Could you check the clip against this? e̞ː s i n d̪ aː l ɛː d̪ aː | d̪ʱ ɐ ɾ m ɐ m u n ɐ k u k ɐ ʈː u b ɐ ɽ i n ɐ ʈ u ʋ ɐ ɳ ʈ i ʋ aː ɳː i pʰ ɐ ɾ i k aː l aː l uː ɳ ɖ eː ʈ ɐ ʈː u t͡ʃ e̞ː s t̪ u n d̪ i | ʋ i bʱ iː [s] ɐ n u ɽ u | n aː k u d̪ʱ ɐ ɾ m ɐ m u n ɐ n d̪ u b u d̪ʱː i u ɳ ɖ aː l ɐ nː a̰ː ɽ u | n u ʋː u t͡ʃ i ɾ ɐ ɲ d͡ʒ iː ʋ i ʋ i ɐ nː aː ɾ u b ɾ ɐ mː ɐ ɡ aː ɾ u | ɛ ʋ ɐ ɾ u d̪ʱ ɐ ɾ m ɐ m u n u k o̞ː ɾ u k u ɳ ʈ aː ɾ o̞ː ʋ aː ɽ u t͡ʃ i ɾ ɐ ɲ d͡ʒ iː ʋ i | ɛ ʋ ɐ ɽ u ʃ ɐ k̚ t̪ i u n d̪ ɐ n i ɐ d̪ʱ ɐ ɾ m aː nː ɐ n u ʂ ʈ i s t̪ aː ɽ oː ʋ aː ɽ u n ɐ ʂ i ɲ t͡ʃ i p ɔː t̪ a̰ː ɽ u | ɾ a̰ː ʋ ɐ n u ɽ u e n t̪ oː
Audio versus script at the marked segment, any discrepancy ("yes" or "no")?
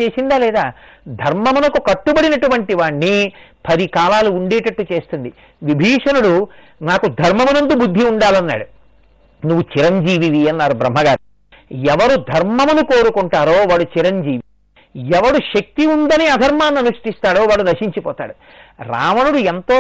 yes